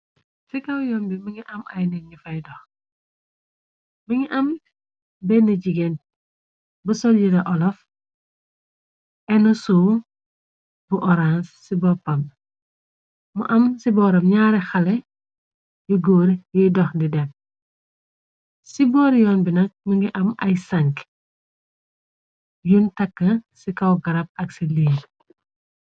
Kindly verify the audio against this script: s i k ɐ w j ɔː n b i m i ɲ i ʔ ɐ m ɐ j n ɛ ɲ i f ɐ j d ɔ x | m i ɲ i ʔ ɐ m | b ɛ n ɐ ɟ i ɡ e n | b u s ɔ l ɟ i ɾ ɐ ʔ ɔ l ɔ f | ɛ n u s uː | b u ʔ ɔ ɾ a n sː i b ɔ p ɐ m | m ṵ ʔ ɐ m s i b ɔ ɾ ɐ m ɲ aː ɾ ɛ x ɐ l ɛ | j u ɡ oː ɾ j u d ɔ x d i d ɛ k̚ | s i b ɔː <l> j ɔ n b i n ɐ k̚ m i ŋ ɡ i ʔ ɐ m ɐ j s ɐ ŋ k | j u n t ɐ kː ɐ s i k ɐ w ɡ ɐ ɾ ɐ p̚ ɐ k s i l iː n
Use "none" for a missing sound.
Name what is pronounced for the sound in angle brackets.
ɾ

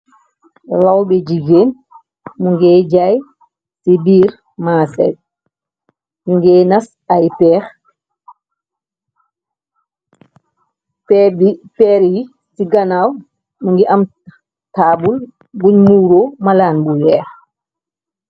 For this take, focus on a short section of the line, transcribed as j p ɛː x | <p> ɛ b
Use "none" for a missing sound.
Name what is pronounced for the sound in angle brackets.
p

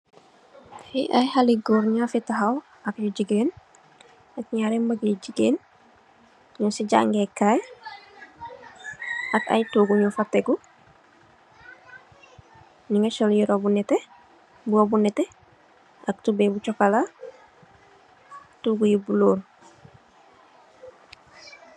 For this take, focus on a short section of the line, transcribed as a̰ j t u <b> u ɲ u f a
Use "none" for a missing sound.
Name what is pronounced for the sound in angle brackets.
ɡ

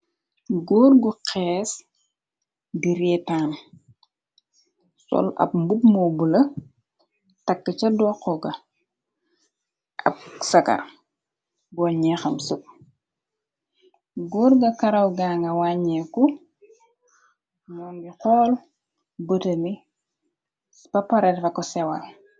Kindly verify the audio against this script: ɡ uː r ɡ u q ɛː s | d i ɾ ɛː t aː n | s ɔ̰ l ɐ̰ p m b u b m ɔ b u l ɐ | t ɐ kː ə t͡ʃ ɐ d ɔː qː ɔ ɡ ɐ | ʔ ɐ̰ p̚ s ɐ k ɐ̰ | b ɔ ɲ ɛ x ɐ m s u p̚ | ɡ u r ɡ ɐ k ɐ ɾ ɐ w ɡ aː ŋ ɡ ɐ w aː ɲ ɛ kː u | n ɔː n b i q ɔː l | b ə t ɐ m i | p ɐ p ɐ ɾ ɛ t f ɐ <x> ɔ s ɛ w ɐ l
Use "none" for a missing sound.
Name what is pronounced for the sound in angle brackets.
k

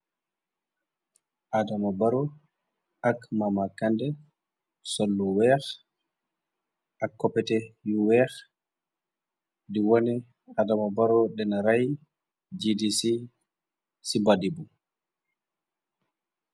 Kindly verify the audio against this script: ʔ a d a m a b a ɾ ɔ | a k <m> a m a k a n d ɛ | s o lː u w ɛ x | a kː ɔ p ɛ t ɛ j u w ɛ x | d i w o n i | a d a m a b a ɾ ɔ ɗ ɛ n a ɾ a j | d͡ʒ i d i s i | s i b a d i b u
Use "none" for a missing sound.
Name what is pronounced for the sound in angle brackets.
m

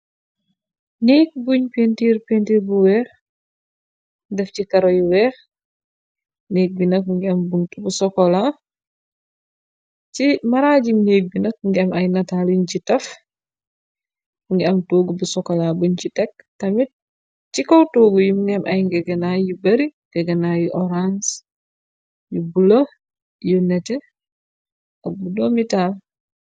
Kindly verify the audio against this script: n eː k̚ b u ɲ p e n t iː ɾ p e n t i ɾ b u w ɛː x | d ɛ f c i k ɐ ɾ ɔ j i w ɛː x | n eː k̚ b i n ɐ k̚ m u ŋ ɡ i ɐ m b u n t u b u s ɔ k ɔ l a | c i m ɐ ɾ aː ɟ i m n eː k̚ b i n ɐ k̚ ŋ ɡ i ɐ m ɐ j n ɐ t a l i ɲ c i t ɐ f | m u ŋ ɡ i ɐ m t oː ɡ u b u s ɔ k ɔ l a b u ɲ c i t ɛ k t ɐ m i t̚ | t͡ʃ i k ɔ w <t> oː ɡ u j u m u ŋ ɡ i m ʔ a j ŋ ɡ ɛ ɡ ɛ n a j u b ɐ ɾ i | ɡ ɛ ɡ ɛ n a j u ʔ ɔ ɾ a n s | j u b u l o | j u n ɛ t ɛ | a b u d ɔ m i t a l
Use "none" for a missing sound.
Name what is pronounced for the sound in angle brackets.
t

